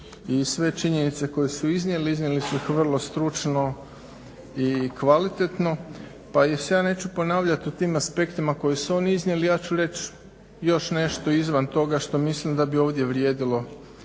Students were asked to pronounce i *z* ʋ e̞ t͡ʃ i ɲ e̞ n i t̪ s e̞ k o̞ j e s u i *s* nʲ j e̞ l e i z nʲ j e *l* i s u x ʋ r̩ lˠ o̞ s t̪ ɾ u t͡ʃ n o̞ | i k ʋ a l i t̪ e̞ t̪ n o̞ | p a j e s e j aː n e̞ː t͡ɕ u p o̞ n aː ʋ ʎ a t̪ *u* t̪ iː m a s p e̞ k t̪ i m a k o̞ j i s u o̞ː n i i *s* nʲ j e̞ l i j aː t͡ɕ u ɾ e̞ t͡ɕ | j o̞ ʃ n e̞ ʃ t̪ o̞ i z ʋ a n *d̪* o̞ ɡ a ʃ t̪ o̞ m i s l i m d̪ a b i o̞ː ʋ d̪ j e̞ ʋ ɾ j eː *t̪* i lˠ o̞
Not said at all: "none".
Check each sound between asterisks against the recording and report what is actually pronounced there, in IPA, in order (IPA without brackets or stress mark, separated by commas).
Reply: s, z, l, u, z, t̪, d̪